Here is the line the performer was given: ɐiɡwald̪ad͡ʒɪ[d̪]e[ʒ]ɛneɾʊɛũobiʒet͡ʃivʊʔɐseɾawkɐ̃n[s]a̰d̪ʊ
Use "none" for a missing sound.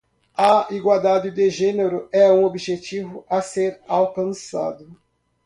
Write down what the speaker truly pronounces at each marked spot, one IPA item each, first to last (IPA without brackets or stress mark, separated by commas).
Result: d̪, ʒ, s